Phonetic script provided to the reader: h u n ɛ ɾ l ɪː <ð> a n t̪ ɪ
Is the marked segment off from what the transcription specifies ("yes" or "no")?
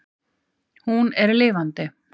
yes